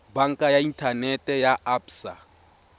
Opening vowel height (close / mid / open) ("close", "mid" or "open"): open